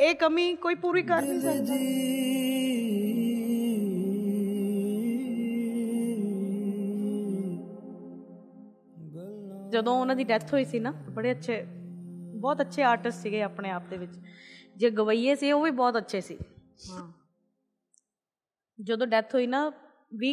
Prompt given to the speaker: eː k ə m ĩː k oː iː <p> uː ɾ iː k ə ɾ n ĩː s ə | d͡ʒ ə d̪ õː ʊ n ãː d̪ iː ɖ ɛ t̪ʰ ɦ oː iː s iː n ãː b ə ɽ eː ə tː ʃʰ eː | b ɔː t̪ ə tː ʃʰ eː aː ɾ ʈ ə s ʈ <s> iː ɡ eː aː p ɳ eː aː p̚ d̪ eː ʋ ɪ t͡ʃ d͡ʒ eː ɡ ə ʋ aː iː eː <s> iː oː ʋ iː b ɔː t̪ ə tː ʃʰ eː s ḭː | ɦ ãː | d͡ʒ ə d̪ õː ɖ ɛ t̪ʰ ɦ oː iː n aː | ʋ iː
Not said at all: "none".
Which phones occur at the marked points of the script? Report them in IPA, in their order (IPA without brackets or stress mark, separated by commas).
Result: p, s, s